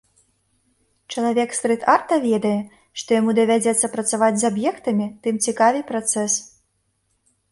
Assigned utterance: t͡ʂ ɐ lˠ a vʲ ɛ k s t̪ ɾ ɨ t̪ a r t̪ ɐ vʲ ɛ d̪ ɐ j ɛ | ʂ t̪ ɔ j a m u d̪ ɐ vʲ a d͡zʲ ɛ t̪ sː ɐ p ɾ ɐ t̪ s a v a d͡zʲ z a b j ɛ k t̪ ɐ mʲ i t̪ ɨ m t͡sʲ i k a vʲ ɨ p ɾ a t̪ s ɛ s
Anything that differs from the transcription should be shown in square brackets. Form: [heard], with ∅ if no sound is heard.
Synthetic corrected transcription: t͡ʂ ɐ lˠ a vʲ ɛ k s t̪ ɾ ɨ t̪ a r t̪ ɐ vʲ ɛ d̪ ɐ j ɛ | ʂ t̪ ɔ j a m u d̪ ɐ vʲ a d͡zʲ ɛ t̪ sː ɐ p ɾ ɐ t̪ s a v a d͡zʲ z a b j ɛ k t̪ ɐ mʲ i t̪ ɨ m t͡sʲ i k a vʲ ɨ p ɾ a t̪ s ɛ s

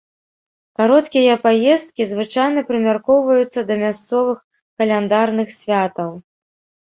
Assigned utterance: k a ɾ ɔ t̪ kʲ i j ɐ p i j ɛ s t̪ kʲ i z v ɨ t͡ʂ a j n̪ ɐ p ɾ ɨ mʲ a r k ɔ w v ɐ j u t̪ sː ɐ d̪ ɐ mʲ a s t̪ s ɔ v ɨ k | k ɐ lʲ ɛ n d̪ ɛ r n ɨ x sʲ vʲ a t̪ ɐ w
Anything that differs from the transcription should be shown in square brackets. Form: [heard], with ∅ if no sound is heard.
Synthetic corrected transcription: k a ɾ ɔ t̪ kʲ i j ɐ p [a] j ɛ s t̪ kʲ i z v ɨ t͡ʂ a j n̪ ɐ p ɾ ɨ mʲ a r k ɔ w v ɐ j u t̪ sː ɐ d̪ ɐ mʲ a s t̪ s ɔ v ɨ [x] | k ɐ lʲ ɛ n d̪ [a] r n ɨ x sʲ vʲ a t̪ ɐ w

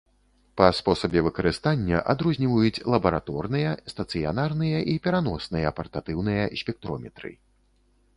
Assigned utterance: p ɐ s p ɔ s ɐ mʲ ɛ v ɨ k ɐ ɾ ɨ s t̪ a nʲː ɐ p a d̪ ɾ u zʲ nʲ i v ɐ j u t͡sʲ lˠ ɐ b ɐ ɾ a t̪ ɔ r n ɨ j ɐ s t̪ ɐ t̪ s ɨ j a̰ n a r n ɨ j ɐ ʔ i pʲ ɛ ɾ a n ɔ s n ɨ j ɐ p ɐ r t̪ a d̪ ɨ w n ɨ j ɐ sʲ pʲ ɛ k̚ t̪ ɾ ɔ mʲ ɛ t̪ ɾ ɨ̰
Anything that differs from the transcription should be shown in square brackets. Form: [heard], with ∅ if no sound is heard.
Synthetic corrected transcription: p ɐ s p ɔ s ɐ [bʲ] ɛ v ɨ k ɐ ɾ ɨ s t̪ a nʲː ɐ [ʔ] a d̪ ɾ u zʲ nʲ i v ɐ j u t͡sʲ lˠ ɐ b ɐ ɾ a t̪ ɔ r n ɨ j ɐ s t̪ ɐ t̪ s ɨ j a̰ n a r n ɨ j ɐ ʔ i pʲ ɛ ɾ a n ɔ s n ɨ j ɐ p ɐ r t̪ a [t̪] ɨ w n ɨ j ɐ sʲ pʲ ɛ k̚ t̪ ɾ ɔ mʲ ɛ t̪ ɾ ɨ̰

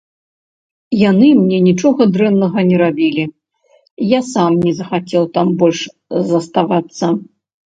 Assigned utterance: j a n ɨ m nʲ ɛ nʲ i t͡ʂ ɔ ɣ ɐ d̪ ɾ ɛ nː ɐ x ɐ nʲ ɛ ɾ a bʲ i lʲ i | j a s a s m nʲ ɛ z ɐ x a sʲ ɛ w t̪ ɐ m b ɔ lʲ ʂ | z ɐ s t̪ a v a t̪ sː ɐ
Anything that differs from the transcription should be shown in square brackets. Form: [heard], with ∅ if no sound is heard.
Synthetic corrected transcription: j a n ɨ m nʲ ɛ nʲ i t͡ʂ ɔ ɣ ɐ d̪ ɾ ɛ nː ɐ [ɣ] ɐ nʲ ɛ ɾ a bʲ i lʲ i | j a s a [∅] m nʲ ɛ z ɐ x a [t͡sʲ] ɛ w t̪ [a] m b ɔ lʲ ʂ | z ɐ s t̪ a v a t̪ sː ɐ

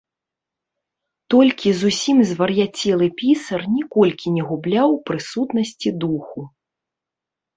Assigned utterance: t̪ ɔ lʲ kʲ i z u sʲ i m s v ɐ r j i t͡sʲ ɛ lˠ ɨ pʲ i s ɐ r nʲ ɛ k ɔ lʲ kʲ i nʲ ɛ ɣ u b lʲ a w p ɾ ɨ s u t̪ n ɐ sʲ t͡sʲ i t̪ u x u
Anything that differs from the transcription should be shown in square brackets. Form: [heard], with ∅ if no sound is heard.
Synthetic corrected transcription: t̪ ɔ lʲ kʲ i z u sʲ i m [z] v ɐ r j [a] t͡sʲ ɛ lˠ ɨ pʲ i s ɐ r nʲ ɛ k ɔ lʲ kʲ i nʲ ɛ ɣ u b lʲ a w p ɾ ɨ s u t̪ n ɐ sʲ t͡sʲ i [d̪] u x u

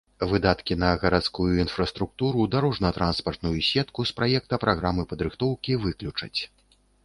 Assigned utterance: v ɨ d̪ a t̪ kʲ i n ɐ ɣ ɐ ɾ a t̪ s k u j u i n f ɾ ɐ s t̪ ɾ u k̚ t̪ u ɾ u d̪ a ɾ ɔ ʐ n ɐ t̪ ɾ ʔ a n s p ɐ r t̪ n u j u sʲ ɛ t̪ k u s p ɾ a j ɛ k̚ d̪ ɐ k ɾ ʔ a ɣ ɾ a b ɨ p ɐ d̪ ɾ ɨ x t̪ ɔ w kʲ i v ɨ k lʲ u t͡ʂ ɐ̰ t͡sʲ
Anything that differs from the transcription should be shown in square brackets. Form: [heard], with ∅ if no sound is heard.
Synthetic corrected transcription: v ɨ d̪ a t̪ kʲ i n ɐ ɣ ɐ ɾ a t̪ s k u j u i n f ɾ ɐ s t̪ ɾ u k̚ t̪ u ɾ u d̪ a ɾ ɔ ʐ n ɐ t̪ ɾ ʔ a n s p ɐ r t̪ n u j u sʲ ɛ t̪ k u s p ɾ a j ɛ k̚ [t̪] ɐ [p] ɾ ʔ a ɣ ɾ a [m] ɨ p ɐ d̪ ɾ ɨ x t̪ ɔ w kʲ i v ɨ k lʲ u t͡ʂ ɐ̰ t͡sʲ

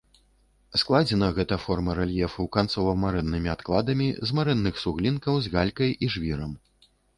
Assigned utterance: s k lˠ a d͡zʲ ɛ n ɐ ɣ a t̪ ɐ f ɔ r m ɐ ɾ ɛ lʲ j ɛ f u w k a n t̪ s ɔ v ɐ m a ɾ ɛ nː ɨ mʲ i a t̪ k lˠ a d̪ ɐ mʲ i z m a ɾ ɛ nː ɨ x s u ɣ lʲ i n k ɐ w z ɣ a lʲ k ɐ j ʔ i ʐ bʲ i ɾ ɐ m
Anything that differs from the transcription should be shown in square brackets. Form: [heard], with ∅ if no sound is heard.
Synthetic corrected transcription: s k lˠ a d͡zʲ ɛ n ɐ ɣ [ɛ] t̪ ɐ f ɔ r m ɐ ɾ ɛ lʲ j ɛ f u w k a n t̪ s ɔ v ɐ m a ɾ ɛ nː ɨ mʲ i a t̪ k lˠ a d̪ ɐ mʲ i z m a ɾ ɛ nː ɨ x s u ɣ lʲ i n k ɐ w z ɣ a lʲ k ɐ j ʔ i ʐ [vʲ] i ɾ ɐ m

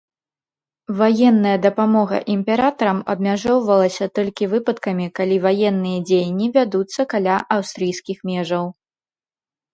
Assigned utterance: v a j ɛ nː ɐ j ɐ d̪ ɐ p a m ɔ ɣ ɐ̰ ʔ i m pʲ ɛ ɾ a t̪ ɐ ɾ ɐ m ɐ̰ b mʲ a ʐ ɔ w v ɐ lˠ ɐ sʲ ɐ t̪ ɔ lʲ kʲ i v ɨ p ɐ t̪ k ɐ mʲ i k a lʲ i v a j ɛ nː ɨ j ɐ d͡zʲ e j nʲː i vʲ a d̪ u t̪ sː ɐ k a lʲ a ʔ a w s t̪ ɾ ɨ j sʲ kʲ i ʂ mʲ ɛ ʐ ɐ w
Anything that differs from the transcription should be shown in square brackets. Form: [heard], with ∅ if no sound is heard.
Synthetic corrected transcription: v a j ɛ nː ɐ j ɐ d̪ ɐ p a m ɔ ɣ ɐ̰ ʔ i m pʲ ɛ ɾ a t̪ ɐ ɾ ɐ m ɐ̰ b mʲ a ʐ ɔ w v ɐ lˠ ɐ sʲ ɐ t̪ ɔ lʲ kʲ i v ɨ p ɐ t̪ k ɐ mʲ i k a lʲ i v a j ɛ nː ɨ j ɐ d͡zʲ e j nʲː i vʲ a d̪ u t̪ sː ɐ k a lʲ a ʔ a w s t̪ ɾ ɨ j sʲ kʲ i [x] mʲ ɛ ʐ ɐ w

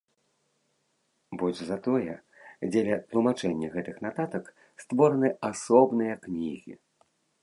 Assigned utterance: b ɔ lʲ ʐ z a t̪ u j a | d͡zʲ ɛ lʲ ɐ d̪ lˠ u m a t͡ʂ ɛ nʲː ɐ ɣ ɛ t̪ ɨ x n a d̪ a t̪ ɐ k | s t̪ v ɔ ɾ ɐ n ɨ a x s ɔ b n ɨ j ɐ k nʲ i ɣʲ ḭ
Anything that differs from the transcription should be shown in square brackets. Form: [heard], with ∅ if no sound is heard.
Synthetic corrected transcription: b ɔ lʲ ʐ z a t̪ [ɔ] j [ɛ] | d͡zʲ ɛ lʲ ɐ [t̪] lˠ u m a t͡ʂ ɛ nʲː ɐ ɣ ɛ t̪ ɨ x n a [t̪] a t̪ ɐ k | s t̪ v ɔ ɾ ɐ n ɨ a [∅] s ɔ b n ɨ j ɐ k nʲ i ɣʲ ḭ

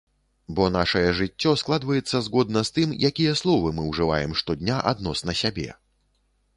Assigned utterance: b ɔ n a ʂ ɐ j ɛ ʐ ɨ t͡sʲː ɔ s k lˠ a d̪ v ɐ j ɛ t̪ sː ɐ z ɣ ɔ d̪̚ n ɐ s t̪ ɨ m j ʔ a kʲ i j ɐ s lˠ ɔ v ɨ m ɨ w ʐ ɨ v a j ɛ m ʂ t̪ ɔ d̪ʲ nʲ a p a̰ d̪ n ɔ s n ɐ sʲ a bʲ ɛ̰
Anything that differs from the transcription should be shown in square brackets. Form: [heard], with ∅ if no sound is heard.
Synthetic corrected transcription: b ɔ n a ʂ ɐ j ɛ ʐ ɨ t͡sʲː ɔ s k lˠ a d̪ v ɐ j ɛ t̪ sː ɐ z ɣ ɔ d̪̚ n ɐ s t̪ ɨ m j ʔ a kʲ i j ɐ s lˠ ɔ v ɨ m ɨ w ʐ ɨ v a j ɛ m ʂ t̪ ɔ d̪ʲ nʲ a [ʔ] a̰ d̪ n ɔ s n ɐ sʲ a bʲ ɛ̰

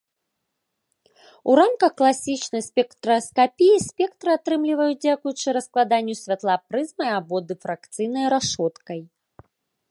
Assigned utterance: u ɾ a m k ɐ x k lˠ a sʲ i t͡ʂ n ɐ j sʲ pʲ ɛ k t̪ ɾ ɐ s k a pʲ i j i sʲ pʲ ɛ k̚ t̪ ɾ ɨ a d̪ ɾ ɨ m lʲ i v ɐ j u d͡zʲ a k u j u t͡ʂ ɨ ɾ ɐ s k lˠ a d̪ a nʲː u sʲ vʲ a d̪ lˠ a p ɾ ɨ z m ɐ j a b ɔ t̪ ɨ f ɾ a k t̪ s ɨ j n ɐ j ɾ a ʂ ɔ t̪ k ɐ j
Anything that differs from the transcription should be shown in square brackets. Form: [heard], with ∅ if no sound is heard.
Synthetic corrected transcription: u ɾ a m k ɐ x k lˠ a sʲ i t͡ʂ n ɐ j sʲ pʲ ɛ k t̪ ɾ ɐ s k a pʲ i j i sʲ pʲ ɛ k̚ t̪ ɾ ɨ a [t̪] ɾ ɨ m lʲ i v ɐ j u d͡zʲ a k u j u t͡ʂ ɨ ɾ ɐ s k lˠ a d̪ a nʲː u sʲ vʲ a [t̪] lˠ a p ɾ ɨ z m ɐ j a b ɔ [d̪] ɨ f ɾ a k t̪ s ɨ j n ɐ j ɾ a ʂ ɔ t̪ k ɐ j

